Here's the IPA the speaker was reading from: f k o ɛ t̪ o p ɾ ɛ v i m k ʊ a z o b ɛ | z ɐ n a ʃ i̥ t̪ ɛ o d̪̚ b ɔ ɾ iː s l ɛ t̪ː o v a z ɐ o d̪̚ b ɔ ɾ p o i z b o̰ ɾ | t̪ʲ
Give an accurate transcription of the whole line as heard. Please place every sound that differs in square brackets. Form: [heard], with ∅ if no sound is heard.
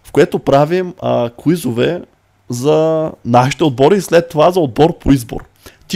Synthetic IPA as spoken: f k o ɛ t̪ o p ɾ [a] v i m k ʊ [i] z o [v] ɛ | z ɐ n a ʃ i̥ t̪ ɛ o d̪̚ b ɔ ɾ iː s l ɛ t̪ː o v a z ɐ o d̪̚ b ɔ ɾ p o i z b o̰ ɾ | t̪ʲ